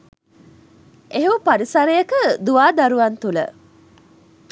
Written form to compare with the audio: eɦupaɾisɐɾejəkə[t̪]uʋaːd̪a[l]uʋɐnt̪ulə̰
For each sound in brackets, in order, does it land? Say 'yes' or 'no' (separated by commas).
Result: no, no